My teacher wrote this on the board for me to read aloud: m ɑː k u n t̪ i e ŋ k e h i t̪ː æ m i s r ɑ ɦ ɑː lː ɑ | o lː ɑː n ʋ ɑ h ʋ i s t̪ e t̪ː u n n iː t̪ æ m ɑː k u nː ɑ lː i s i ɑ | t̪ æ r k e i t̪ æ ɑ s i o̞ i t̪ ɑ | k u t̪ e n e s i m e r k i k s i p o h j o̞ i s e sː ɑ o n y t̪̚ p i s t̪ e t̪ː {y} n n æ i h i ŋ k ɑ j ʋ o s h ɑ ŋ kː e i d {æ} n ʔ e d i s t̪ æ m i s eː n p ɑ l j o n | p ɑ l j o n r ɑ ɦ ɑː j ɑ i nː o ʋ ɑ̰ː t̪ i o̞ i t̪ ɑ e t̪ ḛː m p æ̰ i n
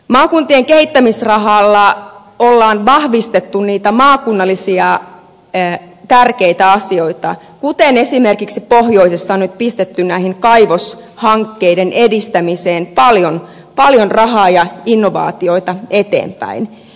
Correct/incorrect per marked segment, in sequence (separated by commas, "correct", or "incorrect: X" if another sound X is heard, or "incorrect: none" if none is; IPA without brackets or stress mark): correct, incorrect: e